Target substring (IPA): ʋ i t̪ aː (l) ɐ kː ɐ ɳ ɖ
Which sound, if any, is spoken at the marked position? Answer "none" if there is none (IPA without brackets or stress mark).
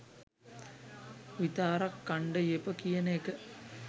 ɾ